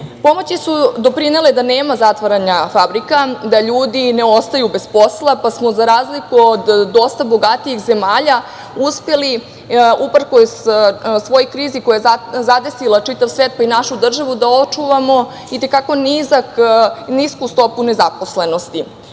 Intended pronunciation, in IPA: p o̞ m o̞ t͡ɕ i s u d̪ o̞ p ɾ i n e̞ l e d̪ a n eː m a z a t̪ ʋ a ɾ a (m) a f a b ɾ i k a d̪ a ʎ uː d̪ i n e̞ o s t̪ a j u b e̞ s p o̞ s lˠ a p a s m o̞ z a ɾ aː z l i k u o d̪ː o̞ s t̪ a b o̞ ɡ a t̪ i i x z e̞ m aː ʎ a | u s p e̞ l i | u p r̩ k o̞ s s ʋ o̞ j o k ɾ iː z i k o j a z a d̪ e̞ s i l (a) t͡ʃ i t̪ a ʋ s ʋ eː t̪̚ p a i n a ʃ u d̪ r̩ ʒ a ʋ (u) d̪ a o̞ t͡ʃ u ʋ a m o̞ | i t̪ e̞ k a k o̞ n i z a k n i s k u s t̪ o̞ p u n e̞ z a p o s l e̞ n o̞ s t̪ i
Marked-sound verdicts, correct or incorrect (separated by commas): incorrect, correct, correct